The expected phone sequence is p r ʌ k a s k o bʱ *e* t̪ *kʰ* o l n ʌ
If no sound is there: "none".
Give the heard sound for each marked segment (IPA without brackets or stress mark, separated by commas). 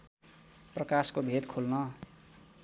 e, kʰ